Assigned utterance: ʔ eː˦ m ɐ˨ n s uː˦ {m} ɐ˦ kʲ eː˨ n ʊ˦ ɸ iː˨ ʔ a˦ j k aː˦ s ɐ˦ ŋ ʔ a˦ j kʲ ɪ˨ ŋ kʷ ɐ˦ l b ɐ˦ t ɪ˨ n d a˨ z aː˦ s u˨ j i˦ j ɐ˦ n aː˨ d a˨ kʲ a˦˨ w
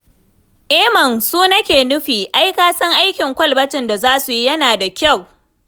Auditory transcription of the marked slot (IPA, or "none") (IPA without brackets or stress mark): n